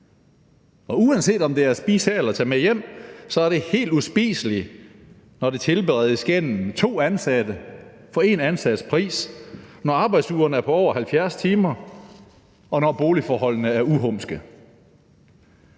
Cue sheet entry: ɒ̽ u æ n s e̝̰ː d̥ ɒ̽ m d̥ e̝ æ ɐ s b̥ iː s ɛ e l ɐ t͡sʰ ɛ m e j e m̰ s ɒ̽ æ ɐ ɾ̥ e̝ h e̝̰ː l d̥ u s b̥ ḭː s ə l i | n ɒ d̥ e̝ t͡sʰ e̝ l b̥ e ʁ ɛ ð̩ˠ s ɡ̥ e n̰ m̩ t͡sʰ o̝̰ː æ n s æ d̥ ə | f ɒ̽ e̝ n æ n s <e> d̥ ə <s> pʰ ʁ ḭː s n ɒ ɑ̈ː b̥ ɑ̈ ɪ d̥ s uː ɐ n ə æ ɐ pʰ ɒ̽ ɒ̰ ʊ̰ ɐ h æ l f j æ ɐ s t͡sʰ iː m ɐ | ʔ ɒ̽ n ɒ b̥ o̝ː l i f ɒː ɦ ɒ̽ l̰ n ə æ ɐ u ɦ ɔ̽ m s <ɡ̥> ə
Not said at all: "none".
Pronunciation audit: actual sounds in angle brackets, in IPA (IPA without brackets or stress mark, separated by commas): æ, s, ɡ̥